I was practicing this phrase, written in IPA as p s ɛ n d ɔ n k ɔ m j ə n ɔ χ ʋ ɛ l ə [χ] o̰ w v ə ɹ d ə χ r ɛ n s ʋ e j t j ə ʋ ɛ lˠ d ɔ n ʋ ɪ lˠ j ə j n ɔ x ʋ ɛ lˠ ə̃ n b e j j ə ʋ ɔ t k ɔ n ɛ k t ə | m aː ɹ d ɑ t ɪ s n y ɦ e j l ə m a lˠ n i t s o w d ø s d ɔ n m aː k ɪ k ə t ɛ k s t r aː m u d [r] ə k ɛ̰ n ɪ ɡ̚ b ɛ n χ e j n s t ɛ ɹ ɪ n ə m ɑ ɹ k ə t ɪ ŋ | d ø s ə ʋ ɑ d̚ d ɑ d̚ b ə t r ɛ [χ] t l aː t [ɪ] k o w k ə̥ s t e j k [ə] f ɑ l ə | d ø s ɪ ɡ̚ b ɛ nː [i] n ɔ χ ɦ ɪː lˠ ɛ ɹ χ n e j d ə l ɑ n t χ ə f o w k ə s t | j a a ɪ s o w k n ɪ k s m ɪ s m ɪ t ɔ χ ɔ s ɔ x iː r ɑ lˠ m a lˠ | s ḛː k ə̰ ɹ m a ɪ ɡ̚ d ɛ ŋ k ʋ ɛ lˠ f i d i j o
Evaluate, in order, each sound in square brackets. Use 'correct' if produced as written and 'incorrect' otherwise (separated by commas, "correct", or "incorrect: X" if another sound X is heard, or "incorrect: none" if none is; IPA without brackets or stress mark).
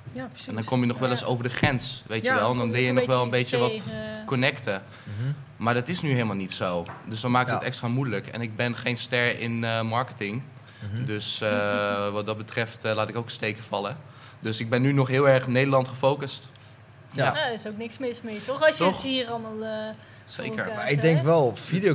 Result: incorrect: s, incorrect: l, incorrect: f, correct, correct, incorrect: y